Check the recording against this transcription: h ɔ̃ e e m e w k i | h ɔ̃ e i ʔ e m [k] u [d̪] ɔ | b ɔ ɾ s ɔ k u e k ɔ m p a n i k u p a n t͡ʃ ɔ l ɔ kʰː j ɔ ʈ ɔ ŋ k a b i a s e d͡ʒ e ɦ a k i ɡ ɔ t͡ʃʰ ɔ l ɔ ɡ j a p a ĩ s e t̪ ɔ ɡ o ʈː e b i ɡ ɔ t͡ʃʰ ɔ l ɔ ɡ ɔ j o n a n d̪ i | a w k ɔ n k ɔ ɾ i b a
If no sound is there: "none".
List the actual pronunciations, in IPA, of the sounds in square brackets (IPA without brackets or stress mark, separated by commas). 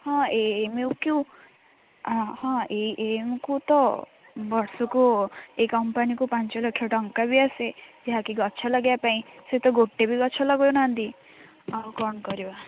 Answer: k, t̪